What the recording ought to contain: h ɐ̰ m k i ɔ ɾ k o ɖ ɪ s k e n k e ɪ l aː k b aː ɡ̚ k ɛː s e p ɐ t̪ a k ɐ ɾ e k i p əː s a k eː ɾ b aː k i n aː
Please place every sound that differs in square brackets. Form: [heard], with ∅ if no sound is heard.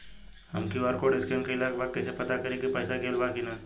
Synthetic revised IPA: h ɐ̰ m k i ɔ ɾ k o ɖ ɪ s k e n k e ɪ l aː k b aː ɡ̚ k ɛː s e p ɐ t̪ a k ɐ ɾ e k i p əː s a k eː [l] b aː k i n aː